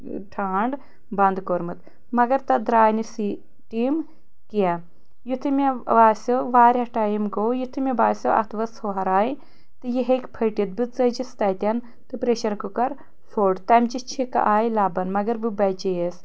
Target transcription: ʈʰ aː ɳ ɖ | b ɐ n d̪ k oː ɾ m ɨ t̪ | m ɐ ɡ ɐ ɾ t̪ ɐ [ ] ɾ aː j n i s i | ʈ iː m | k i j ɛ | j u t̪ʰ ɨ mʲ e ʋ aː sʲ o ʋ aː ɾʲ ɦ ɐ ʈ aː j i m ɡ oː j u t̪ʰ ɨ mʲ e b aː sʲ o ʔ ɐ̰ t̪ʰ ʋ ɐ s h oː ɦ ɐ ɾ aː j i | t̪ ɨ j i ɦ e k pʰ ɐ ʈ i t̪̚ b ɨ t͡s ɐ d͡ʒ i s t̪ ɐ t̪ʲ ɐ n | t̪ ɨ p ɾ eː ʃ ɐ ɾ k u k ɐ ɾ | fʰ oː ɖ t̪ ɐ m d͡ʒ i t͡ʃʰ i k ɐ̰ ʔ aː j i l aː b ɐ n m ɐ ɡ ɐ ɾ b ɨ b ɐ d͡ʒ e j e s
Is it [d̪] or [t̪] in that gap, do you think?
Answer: d̪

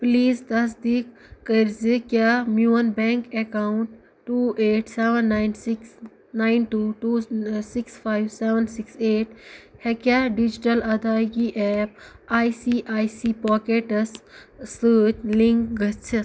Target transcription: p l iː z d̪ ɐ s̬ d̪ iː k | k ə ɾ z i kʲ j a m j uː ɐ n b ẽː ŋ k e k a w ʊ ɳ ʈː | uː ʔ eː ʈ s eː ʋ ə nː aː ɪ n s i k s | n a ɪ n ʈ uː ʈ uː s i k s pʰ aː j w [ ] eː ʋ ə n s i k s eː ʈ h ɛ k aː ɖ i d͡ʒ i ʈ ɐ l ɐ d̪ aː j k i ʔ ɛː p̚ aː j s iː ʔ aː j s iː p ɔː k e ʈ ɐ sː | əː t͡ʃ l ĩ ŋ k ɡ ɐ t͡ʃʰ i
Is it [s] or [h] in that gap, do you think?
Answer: s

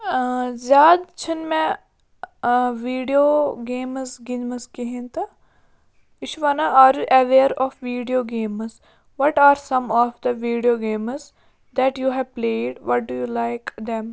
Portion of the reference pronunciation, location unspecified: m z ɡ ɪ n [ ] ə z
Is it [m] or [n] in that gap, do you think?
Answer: m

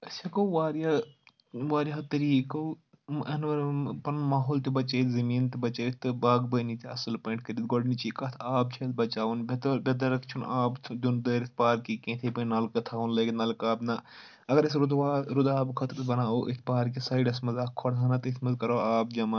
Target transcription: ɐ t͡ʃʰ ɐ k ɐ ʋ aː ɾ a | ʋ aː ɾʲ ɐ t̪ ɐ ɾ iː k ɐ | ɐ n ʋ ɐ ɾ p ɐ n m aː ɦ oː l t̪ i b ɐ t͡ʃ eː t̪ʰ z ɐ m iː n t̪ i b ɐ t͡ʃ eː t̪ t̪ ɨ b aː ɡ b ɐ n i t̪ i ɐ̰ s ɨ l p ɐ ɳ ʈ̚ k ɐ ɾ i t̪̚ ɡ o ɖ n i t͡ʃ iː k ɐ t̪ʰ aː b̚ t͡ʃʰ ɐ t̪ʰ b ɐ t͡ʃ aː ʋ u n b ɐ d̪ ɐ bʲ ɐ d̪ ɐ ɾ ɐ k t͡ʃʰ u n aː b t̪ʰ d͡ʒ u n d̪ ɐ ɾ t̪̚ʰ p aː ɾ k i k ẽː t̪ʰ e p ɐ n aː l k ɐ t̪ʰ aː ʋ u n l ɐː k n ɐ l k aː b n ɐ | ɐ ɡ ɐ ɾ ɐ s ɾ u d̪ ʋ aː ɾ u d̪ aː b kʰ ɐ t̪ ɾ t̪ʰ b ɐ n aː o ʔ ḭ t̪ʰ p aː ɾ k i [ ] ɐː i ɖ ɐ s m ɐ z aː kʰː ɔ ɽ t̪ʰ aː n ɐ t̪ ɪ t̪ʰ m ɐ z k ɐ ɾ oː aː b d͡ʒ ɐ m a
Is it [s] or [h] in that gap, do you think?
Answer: s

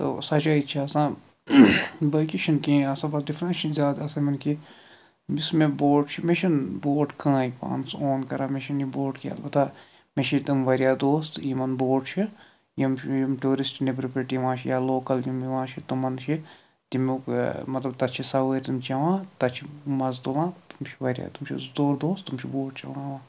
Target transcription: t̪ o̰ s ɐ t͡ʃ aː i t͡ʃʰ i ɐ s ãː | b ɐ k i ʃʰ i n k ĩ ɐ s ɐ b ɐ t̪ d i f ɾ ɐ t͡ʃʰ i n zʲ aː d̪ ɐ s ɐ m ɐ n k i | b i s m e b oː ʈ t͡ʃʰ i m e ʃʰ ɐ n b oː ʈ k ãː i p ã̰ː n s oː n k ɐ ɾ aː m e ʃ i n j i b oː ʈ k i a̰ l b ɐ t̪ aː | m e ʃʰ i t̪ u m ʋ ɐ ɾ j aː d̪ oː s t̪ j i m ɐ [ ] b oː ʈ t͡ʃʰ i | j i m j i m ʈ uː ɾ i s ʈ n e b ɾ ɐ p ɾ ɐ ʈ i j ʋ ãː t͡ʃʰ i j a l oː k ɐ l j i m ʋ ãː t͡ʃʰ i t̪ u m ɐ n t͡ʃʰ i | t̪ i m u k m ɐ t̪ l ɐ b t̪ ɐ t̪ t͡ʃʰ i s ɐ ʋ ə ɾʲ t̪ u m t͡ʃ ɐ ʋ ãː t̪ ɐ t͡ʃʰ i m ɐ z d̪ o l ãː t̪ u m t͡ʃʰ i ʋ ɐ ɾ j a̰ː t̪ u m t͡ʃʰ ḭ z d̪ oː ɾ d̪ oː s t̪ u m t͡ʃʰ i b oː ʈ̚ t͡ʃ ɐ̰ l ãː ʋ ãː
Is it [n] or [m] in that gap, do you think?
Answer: n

